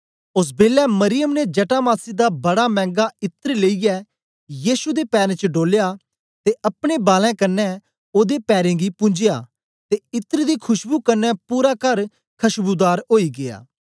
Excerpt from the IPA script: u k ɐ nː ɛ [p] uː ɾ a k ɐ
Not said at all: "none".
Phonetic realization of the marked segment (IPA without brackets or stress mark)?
p